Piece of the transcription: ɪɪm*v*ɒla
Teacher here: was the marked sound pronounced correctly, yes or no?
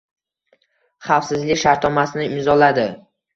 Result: no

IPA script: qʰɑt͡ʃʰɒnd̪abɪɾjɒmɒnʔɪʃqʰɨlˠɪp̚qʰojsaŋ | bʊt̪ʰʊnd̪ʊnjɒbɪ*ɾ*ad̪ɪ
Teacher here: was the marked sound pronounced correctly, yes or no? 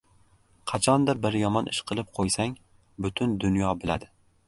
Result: no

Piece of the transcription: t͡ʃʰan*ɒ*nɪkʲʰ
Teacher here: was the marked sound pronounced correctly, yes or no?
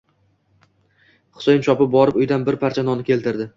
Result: yes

